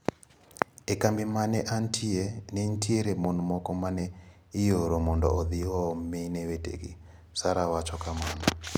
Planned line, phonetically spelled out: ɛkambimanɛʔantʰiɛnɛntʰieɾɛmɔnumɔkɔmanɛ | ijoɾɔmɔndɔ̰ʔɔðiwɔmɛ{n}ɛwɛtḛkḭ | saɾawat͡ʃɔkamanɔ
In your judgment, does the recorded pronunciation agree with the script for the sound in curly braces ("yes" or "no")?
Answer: yes